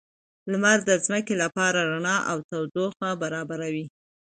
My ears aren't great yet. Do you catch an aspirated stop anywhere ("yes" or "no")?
no